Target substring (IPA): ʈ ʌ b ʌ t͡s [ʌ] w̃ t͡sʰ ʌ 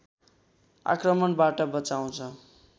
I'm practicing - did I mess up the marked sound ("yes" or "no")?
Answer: yes